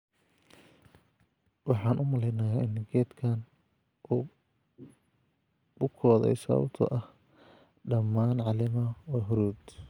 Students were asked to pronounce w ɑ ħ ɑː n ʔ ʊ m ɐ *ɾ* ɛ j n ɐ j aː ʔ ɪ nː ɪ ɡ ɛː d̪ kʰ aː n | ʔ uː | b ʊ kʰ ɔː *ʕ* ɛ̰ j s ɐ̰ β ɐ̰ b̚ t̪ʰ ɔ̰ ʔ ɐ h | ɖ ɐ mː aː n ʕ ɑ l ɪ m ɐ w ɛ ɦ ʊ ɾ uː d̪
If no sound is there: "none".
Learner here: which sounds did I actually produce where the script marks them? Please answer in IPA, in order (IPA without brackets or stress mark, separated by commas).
l, ð